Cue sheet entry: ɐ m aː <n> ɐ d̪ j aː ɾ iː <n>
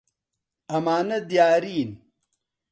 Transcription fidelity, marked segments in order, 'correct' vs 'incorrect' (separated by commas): correct, correct